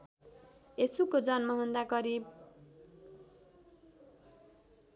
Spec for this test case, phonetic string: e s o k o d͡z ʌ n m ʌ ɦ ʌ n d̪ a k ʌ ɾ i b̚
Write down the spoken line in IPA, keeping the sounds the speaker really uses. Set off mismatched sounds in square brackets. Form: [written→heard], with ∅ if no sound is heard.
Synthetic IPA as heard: e s [o→u] k o d͡z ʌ n m ʌ ɦ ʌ n d̪ a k ʌ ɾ i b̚